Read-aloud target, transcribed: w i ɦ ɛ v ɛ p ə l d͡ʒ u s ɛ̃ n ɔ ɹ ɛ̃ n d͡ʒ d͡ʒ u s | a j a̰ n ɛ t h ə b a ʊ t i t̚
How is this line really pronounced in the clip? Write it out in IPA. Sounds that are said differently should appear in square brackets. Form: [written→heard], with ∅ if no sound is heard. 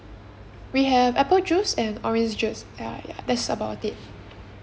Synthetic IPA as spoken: w i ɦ ɛ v ɛ p ə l d͡ʒ u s ɛ̃ n ɔ ɹ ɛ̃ n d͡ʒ d͡ʒ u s | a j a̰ [n→d] ɛ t [h→s] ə b a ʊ t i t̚